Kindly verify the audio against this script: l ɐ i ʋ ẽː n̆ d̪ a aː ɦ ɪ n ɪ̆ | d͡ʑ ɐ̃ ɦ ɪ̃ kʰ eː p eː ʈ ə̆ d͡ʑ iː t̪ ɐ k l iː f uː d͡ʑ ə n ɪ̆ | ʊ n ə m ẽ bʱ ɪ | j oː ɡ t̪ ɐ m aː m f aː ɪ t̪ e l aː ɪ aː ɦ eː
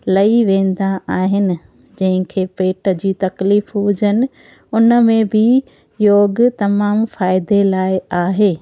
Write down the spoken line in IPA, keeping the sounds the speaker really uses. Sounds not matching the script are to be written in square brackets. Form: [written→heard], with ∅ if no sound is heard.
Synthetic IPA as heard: l ɐ i ʋ ẽː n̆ d̪ a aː ɦ ɪ n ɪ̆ | d͡ʑ ɐ̃ ɦ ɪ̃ kʰ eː p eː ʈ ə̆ d͡ʑ iː t̪ ɐ k l iː f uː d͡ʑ ə n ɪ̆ | ʊ n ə m ẽ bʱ ɪ | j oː ɡ t̪ ɐ m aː m f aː ɪ [t̪→d̪] e l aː ɪ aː ɦ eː

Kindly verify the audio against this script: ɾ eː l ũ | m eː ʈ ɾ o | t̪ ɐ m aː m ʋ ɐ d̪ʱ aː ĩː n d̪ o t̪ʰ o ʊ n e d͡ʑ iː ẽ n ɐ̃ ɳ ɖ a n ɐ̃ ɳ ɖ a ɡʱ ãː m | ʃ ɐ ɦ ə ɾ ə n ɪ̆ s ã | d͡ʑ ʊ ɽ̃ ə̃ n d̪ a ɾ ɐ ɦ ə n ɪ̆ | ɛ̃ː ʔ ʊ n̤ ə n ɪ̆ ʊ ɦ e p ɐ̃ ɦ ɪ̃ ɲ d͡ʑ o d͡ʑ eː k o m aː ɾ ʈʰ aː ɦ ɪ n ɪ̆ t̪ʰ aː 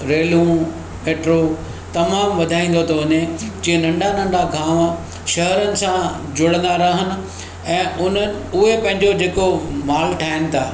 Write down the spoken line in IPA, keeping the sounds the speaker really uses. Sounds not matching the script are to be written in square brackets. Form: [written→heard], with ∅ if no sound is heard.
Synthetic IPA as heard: ɾ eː l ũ | m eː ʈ ɾ o | t̪ ɐ m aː m ʋ ɐ d̪ʱ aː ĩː n d̪ o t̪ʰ o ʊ n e d͡ʑ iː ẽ n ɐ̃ ɳ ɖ a n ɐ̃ ɳ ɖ a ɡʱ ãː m | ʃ ɐ ɦ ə ɾ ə n ɪ̆ s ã | d͡ʑ ʊ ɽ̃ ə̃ n d̪ a ɾ ɐ ɦ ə n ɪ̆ | ɛ̃ː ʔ ʊ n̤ ə n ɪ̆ ʊ ɦ e p ɐ̃ ɦ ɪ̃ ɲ d͡ʑ o d͡ʑ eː k o m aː [ɾ→l] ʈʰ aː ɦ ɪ n ɪ̆ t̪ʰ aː

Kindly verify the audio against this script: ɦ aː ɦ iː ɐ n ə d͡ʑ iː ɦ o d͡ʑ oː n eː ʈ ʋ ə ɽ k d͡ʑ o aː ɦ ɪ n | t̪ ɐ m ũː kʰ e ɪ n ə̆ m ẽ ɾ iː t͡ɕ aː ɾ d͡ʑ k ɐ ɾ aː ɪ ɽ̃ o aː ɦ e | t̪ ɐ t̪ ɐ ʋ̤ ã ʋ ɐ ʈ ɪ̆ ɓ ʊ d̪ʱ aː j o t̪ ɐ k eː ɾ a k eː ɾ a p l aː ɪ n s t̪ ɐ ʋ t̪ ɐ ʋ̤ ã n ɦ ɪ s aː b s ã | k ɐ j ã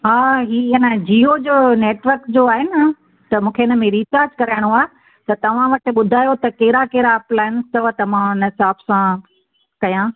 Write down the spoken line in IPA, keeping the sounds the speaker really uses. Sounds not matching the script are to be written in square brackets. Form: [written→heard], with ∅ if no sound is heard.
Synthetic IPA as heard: ɦ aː ɦ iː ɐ n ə d͡ʑ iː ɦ o d͡ʑ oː n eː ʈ ʋ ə [ɽ→ɾ] k d͡ʑ o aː ɦ ɪ n | t̪ ɐ m ũː kʰ e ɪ n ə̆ m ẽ ɾ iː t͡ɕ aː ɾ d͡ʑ k ɐ ɾ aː ɪ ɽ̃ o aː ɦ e | t̪ ɐ t̪ ɐ ʋ̤ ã ʋ ɐ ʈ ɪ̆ ɓ ʊ d̪ʱ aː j o t̪ ɐ k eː ɾ a k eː ɾ a p l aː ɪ n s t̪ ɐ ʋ t̪ ɐ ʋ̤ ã n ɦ ɪ s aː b s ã | k ɐ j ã

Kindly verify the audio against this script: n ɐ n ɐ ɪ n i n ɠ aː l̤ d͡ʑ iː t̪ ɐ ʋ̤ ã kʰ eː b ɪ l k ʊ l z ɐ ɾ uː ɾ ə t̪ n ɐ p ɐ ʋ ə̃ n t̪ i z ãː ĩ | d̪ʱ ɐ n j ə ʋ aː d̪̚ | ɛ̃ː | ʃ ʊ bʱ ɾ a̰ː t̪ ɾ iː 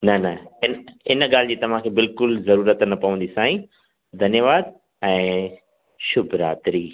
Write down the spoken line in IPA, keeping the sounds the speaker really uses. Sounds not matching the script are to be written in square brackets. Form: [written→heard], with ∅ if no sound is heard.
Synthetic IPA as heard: n ɐ n ɐ ɪ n [i→ɪ] n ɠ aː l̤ d͡ʑ iː t̪ ɐ ʋ̤ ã kʰ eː b ɪ l k ʊ l z ɐ ɾ uː ɾ ə t̪ n ɐ p ɐ ʋ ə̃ n [t̪→d̪] i [z→s] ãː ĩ | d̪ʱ ɐ n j ə ʋ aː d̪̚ | ɛ̃ː | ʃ ʊ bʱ ɾ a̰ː t̪ ɾ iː

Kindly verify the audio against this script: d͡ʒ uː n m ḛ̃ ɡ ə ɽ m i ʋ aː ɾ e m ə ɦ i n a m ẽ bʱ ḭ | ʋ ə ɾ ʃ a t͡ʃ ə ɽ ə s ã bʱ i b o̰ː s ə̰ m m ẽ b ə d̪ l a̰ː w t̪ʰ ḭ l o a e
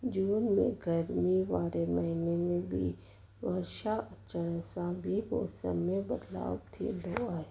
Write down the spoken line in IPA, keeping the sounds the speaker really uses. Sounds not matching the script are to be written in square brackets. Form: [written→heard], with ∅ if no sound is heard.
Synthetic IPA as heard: d͡ʒ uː n m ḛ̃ ɡ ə [ɽ→ɾ] m i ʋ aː ɾ e m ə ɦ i n [a→e] m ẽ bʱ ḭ | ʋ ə ɾ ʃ a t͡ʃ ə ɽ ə s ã bʱ i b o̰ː s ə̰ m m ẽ b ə d̪ l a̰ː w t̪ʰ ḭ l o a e

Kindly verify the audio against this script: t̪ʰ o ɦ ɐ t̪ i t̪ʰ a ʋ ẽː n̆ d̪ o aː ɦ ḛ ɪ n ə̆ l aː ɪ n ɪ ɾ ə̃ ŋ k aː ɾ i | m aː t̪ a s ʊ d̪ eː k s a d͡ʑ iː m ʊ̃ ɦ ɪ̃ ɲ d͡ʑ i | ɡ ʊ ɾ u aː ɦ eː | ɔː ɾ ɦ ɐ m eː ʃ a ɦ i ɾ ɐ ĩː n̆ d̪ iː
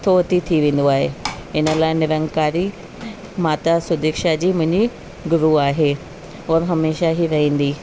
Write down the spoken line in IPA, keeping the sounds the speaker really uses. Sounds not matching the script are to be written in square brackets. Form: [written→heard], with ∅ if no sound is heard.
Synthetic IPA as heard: t̪ʰ o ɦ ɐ t̪ i t̪ʰ [a→i] ʋ ẽː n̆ d̪ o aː ɦ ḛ ɪ n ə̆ l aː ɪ n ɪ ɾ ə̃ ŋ k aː ɾ i | m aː t̪ a s ʊ d̪ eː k [s→ʃ] a d͡ʑ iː m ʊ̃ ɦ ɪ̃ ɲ d͡ʑ i | ɡ ʊ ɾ u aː ɦ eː | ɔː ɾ ɦ ɐ m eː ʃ a ɦ i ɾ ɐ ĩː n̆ d̪ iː

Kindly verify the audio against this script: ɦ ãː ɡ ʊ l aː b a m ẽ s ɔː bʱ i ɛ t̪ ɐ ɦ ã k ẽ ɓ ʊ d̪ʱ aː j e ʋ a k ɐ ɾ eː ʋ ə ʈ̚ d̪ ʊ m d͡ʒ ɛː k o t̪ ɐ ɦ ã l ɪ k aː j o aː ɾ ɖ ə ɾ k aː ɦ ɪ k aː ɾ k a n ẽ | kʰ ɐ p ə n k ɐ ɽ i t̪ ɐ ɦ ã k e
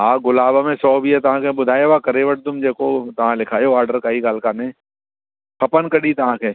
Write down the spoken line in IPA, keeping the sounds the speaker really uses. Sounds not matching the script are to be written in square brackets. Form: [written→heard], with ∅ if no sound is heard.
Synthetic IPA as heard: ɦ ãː ɡ ʊ l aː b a m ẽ s ɔː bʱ i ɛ t̪ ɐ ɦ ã k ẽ [ɓ→b] ʊ d̪ʱ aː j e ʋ a k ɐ ɾ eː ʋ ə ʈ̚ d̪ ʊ m d͡ʒ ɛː k o t̪ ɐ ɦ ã l ɪ [k→kʰ] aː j o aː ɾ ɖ ə ɾ k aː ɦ [ɪ→i] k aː [ɾ→l] k a n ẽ | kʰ ɐ p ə n k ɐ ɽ i t̪ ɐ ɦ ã k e

